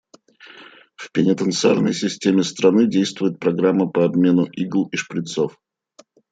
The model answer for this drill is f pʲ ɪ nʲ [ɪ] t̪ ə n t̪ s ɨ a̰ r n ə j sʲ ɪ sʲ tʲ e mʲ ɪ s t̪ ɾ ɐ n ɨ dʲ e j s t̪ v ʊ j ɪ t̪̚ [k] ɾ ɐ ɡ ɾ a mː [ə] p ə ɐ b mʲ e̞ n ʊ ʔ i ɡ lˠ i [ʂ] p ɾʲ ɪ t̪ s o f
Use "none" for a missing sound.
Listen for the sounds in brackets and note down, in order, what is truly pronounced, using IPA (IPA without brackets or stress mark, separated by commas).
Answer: ɪ, p, ə, ʂ